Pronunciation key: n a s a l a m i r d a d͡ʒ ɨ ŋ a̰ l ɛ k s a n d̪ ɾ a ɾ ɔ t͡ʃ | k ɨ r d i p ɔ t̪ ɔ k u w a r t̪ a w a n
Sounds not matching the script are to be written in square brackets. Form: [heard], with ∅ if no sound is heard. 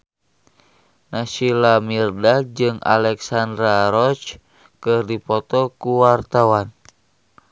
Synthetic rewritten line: n a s [i] l a m i r d a d͡ʒ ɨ ŋ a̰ l ɛ k s a n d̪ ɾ a ɾ ɔ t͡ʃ | k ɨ r d i p ɔ t̪ ɔ k u w a r t̪ a w a n